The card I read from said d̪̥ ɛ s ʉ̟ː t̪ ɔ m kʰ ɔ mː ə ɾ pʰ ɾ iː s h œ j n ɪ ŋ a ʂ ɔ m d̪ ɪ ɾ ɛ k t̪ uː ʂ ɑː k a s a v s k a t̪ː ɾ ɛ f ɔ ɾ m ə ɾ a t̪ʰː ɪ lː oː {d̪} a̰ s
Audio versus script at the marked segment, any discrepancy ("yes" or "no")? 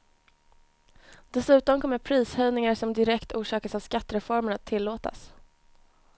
yes